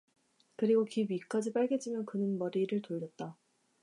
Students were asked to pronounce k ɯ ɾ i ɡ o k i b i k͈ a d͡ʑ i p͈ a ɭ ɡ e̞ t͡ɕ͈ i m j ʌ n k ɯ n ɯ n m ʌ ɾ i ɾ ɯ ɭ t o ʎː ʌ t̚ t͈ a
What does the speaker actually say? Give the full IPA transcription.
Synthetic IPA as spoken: k ɯ ɾ i ɡ o k i b i k͈ a d͡ʑ i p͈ a ɭ ɡ e̞ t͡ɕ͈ i m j ʌ n k ɯ n ɯ n m ʌ ɾ i ɾ ɯ ɭ t o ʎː ʌ t̚ t͈ a